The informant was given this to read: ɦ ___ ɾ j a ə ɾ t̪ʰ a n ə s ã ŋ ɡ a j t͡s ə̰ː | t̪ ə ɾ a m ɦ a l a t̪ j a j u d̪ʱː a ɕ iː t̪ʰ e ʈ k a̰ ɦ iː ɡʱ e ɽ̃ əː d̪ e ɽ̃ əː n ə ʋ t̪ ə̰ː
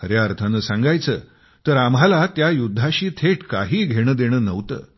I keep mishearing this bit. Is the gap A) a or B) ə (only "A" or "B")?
B